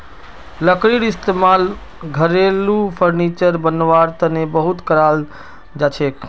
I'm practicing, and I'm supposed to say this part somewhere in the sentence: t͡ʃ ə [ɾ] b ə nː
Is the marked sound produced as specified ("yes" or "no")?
yes